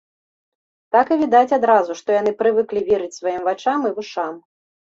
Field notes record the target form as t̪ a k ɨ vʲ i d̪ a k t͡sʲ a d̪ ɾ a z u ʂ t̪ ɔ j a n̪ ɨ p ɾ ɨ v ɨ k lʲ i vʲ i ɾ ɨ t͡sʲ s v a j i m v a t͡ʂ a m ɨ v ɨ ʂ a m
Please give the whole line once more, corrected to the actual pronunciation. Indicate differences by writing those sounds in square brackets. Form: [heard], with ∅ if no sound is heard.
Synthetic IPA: t̪ a k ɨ vʲ i d̪ a [∅] t͡sʲ a d̪ ɾ a z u ʂ t̪ ɔ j a n̪ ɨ p ɾ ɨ v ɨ k lʲ i vʲ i ɾ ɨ t͡sʲ s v a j i m v a t͡ʂ a m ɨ v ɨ ʂ a m